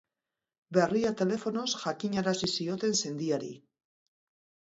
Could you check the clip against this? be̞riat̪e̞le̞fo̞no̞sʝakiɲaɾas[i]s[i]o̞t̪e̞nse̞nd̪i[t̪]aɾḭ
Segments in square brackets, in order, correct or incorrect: correct, correct, incorrect

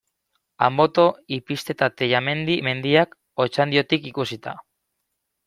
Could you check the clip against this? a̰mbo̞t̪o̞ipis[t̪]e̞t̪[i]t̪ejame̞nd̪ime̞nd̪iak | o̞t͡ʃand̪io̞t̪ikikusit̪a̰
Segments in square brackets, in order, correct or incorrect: correct, incorrect

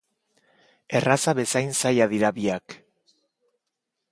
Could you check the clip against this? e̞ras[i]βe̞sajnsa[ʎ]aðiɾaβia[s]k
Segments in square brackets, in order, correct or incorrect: incorrect, incorrect, incorrect

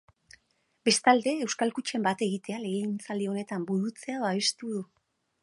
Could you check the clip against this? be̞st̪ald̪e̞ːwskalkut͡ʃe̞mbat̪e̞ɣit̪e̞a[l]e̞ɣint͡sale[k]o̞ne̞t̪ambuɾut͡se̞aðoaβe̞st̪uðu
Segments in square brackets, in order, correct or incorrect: correct, incorrect

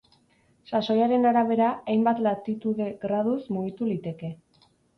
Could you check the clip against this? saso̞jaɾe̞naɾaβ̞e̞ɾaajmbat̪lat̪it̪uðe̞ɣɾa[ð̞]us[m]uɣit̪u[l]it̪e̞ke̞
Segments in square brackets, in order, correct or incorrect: correct, correct, correct

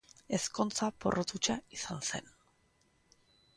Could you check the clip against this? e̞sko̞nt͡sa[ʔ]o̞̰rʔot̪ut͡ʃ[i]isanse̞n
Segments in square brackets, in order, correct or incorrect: incorrect, incorrect

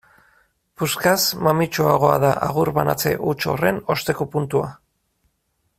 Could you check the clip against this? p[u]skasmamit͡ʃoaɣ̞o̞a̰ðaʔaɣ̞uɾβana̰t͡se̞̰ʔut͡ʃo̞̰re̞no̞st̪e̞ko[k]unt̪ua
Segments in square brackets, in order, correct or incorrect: correct, incorrect

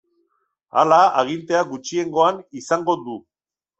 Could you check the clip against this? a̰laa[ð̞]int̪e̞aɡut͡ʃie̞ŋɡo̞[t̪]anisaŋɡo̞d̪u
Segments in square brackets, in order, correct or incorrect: incorrect, incorrect

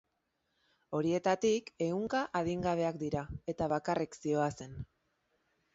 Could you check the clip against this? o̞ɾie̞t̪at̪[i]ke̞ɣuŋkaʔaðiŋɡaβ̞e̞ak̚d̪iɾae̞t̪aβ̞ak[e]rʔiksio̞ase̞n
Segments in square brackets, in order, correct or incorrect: correct, incorrect

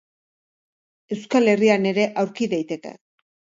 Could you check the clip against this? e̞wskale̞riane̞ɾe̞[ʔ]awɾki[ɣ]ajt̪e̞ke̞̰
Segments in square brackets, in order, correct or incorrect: correct, incorrect

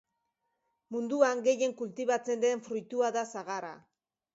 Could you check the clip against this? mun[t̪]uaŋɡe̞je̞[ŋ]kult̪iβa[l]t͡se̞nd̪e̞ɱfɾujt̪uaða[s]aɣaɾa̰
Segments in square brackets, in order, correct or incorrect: incorrect, correct, incorrect, correct

